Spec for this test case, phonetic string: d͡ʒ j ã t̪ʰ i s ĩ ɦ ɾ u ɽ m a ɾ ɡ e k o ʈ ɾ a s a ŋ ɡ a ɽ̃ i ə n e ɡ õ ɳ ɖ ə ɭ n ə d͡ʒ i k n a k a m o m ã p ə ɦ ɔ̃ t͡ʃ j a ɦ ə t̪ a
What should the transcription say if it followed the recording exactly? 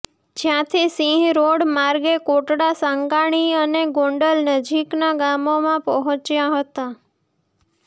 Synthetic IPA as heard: d͡ʒ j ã t̪ʰ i s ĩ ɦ ɾ o ɽ m a ɾ ɡ e k o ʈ ɽ a s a ŋ ɡ a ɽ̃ i ə n e ɡ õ ɳ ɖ ə l n ə d͡ʒ i k n a ɡ a m o m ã p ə ɦ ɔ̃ t͡ʃ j a ɦ ə t̪ a